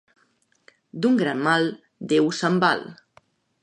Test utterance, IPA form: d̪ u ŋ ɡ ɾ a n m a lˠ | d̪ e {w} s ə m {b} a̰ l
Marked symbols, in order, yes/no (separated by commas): yes, yes